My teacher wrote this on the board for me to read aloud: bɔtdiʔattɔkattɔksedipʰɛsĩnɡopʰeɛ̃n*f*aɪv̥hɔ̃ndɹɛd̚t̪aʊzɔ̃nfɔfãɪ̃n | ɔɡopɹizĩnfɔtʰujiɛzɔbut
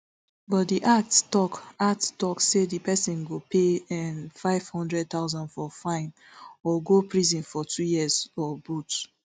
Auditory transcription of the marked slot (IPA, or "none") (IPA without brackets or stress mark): f